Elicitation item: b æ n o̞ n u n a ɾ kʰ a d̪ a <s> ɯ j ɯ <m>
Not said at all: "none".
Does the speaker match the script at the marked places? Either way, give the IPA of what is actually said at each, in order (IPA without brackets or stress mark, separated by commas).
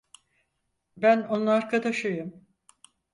ʃ, m